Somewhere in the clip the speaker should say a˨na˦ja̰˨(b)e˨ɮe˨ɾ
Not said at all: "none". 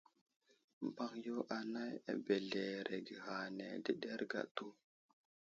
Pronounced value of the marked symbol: b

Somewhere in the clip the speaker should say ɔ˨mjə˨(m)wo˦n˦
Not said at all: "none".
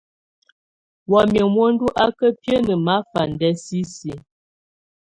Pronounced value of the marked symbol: m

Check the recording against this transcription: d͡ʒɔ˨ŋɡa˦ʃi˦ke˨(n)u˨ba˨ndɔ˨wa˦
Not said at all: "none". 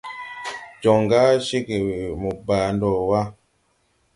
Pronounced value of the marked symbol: m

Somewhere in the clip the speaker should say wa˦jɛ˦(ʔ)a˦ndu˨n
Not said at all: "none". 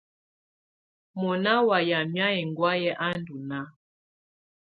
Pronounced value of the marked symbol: ʔ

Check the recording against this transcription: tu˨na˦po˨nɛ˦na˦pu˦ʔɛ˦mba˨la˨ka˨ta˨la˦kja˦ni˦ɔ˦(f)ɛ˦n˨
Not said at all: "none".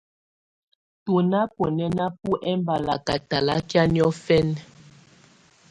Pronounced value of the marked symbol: f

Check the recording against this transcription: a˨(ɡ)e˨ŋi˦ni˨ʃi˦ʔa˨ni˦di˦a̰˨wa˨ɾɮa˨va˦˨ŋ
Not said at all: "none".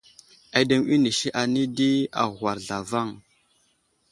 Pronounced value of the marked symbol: d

